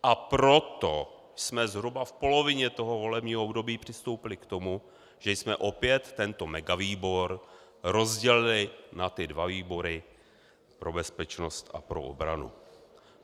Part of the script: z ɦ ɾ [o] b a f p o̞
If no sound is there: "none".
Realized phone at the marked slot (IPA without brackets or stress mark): u